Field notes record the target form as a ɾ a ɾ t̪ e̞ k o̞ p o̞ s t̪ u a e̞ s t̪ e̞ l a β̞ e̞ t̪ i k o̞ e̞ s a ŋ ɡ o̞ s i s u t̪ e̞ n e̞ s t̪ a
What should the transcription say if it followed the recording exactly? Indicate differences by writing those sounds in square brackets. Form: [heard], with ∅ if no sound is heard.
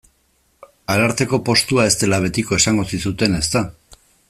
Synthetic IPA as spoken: a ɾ a ɾ t̪ e̞ k o̞ p o̞ s t̪ u a e̞ s t̪ e̞ l a β̞ e̞ t̪ i k o̞ e̞ s a ŋ ɡ o̞ s i s u t̪ e̞ n e̞ s t̪ a